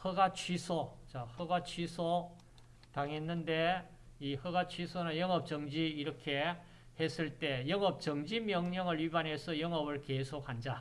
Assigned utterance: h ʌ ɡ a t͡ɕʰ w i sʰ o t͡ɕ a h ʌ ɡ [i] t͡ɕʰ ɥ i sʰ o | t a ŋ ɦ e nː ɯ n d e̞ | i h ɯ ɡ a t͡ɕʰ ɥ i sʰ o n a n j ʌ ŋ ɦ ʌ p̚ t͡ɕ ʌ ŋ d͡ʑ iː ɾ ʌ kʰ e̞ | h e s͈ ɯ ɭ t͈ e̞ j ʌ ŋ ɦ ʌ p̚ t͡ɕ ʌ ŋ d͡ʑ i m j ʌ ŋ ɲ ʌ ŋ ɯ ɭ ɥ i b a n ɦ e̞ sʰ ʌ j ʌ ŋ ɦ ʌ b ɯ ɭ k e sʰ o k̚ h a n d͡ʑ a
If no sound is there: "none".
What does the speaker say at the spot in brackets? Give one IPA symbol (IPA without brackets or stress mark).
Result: a